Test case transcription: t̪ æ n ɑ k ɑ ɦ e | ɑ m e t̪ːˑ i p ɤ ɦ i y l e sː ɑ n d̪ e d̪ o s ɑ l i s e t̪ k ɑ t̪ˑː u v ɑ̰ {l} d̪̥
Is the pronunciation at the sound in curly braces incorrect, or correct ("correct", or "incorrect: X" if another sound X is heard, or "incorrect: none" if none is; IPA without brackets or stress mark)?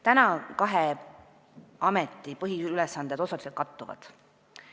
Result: incorrect: none